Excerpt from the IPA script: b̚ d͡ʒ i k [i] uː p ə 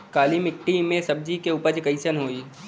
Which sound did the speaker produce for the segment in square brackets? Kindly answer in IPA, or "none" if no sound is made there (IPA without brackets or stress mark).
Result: e